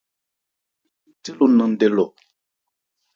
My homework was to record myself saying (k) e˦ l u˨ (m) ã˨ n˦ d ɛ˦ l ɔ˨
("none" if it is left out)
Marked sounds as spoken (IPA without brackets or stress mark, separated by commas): t, n